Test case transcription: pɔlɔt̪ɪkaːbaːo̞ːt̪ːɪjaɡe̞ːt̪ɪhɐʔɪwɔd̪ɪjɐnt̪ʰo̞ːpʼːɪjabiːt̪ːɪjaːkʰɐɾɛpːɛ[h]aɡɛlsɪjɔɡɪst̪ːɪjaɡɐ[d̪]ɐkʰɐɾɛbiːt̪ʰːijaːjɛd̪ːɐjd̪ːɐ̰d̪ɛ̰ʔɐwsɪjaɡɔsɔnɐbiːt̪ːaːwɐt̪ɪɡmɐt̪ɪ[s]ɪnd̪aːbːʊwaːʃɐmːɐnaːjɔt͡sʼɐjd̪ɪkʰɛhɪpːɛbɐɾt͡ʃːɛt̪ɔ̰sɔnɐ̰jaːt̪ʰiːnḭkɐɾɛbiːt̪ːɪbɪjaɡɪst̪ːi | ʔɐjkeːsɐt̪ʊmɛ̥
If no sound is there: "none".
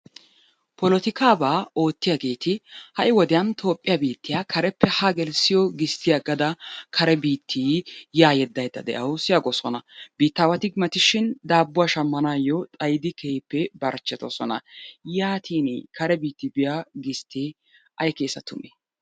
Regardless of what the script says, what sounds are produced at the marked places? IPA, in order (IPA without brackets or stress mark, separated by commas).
h, d̪, ʃ